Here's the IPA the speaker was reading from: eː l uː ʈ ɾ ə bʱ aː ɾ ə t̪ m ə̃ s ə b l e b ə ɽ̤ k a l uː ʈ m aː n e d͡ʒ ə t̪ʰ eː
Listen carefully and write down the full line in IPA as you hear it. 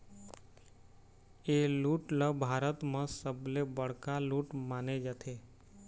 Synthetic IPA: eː l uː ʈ l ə bʱ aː ɾ ə t̪ m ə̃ s ə b l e b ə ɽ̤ k a l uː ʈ m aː n e d͡ʒ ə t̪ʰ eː